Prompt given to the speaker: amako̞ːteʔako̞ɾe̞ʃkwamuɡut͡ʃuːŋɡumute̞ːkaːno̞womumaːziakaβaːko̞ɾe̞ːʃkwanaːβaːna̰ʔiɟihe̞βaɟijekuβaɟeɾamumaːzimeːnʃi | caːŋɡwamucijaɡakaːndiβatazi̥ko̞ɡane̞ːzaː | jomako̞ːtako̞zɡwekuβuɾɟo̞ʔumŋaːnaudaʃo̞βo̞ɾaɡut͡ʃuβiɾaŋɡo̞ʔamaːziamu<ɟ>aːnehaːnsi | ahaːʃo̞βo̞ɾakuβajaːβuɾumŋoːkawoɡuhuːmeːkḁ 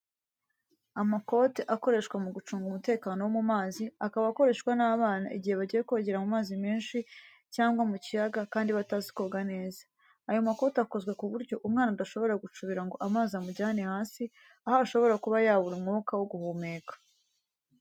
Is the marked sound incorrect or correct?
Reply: correct